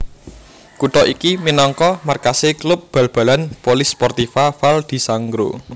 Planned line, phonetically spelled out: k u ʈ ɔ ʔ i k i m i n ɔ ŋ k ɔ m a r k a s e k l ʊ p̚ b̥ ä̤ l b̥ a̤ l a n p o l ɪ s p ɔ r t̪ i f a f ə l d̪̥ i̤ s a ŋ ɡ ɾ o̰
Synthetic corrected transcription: k u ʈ ɔ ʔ i k i m i n ɔ ŋ k ɔ m a r k a s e k l ʊ p̚ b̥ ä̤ l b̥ a̤ l a n p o l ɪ s p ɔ r t̪ i f a f a l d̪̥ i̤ s a ŋ ɡ ɾ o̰